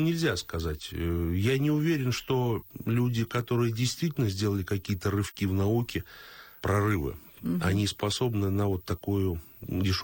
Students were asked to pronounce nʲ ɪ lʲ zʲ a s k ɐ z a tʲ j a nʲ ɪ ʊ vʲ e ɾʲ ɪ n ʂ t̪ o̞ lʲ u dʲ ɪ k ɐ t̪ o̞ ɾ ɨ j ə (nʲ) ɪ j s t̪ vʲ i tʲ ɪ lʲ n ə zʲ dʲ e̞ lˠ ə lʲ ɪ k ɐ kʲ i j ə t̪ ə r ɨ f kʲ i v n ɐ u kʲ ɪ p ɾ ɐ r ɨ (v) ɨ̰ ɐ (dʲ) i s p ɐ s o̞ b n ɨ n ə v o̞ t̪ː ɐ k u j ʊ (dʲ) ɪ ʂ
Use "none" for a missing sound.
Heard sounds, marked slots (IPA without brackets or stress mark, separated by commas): dʲ, v, nʲ, dʲ